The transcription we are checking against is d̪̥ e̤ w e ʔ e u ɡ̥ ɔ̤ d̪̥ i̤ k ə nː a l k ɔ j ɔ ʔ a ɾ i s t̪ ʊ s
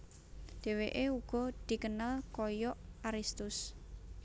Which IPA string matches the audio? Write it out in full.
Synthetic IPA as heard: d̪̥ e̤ w e ʔ e u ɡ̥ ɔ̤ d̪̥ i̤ k ə n a l k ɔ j ɔ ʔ a ɾ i s t̪ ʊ s